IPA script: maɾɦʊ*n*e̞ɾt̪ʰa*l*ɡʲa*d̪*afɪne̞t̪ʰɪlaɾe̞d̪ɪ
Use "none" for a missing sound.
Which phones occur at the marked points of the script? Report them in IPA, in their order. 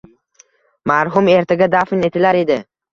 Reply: m, none, d̪

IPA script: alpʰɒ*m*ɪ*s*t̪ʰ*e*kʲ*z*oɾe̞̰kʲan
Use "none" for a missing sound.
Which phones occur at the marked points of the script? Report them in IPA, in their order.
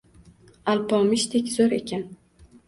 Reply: m, ʃ, e, z

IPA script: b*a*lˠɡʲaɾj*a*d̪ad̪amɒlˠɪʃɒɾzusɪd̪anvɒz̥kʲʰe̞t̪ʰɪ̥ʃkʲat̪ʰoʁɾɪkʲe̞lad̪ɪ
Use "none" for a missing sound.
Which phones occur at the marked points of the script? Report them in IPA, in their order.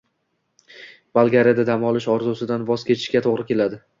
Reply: a, a

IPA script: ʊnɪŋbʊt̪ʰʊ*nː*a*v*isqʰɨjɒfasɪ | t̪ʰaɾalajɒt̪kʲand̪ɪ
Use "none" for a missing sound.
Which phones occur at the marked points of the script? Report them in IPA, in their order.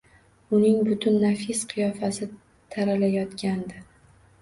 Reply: nː, f

